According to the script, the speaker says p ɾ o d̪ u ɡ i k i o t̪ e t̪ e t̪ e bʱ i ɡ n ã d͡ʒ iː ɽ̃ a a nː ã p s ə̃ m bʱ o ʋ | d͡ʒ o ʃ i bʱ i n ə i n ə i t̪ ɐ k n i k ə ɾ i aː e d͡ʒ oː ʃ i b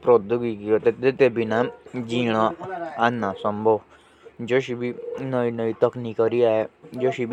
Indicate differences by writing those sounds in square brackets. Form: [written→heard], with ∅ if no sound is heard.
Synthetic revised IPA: p ɾ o d̪ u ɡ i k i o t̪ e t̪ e t̪ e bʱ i [ɡ→∅] n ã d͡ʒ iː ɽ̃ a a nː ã [p→∅] s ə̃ m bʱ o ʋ | d͡ʒ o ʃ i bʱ i n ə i n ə i t̪ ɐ k n i k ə ɾ i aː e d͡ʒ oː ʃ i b